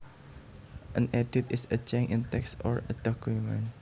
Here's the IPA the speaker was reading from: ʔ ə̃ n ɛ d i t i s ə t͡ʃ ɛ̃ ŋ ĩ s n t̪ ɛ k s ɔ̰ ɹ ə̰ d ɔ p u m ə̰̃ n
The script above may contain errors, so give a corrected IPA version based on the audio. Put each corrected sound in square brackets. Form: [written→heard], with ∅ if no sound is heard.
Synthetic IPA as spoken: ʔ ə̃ n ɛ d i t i s ə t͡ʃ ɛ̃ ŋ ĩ [s→∅] n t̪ ɛ k s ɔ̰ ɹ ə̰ d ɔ [p→k] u m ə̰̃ n